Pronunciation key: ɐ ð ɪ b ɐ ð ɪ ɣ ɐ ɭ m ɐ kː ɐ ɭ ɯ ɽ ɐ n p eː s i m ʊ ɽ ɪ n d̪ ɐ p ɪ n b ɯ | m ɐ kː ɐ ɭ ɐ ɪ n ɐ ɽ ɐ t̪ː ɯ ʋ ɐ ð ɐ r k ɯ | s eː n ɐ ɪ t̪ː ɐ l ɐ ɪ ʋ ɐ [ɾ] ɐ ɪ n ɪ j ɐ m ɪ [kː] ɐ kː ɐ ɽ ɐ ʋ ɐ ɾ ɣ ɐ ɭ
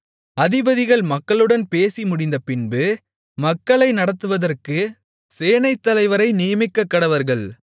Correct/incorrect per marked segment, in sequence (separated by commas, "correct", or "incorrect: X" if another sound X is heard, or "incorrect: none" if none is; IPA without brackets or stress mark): correct, correct